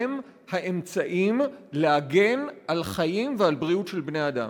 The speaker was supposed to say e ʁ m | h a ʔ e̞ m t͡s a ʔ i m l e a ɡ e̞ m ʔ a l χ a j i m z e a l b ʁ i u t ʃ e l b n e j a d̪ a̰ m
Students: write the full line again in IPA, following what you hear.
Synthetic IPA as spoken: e m | h a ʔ e̞ m t͡s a ʔ i m l e a ɡ e̞ n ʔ a l χ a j i m v e a l b ʁ i u t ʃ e l b n e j a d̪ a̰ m